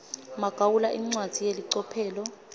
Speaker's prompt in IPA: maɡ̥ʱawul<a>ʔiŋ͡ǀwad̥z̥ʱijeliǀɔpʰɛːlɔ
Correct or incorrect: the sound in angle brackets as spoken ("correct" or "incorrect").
correct